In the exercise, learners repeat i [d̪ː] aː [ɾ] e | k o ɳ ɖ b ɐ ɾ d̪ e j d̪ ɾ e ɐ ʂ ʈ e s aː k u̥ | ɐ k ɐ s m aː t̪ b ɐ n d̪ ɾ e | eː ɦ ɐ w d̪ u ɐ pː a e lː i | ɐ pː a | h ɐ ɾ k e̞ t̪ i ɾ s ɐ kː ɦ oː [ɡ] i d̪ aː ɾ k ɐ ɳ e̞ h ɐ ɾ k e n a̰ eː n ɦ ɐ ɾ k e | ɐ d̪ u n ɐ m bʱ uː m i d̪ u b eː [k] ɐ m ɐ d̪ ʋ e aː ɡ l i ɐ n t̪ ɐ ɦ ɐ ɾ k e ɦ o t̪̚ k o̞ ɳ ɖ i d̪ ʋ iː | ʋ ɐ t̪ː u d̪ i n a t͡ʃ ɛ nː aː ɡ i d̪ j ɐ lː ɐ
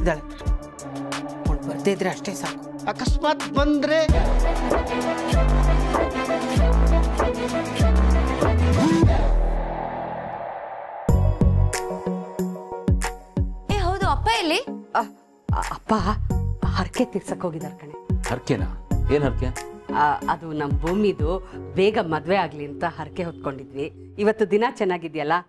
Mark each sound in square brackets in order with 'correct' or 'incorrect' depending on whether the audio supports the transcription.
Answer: incorrect: d̪, incorrect: ɭ, correct, incorrect: ɡ

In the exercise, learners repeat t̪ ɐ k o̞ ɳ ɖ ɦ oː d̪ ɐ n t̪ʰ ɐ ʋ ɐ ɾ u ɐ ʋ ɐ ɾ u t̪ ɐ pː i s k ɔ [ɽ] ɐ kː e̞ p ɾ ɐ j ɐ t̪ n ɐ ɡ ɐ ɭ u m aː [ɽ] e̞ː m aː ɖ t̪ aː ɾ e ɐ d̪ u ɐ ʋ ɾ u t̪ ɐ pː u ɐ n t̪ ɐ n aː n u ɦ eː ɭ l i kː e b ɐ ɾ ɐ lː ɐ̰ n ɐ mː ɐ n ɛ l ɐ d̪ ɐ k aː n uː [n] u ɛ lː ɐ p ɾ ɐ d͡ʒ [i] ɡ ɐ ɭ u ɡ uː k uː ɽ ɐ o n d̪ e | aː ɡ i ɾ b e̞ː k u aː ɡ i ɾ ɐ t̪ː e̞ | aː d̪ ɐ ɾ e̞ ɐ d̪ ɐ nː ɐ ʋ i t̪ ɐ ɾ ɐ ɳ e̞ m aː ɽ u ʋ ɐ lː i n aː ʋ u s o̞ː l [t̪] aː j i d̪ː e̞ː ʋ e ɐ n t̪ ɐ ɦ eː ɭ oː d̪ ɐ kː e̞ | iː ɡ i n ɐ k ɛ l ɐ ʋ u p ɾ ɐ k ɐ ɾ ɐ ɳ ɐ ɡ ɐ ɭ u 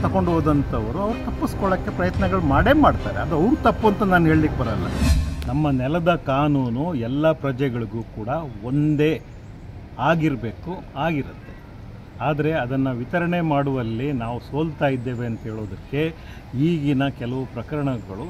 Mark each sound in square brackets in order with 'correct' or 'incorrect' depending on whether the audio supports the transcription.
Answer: incorrect: ɭ, correct, correct, incorrect: ɛ, correct

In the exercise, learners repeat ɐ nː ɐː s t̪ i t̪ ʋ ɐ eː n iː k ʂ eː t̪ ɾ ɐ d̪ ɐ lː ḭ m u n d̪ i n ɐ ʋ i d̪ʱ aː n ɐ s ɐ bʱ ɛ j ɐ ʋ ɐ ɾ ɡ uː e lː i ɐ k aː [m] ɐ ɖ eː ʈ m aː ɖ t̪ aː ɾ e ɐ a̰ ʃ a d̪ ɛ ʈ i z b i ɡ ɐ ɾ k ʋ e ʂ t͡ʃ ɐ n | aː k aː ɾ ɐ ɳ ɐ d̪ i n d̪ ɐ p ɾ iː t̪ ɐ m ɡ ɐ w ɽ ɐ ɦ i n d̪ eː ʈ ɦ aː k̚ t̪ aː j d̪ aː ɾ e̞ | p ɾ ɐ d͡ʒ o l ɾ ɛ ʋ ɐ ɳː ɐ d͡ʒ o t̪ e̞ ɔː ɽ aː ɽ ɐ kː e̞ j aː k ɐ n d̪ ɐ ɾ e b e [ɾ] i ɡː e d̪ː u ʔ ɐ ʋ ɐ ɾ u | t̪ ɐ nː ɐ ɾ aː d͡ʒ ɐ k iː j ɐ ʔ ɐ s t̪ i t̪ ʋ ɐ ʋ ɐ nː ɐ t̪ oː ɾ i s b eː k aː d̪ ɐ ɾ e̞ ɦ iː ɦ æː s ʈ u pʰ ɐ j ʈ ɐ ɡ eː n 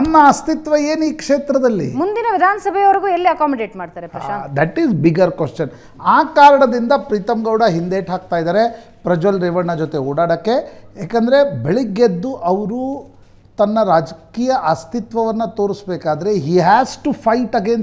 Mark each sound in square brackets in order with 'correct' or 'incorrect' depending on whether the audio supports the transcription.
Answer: correct, incorrect: ɭ

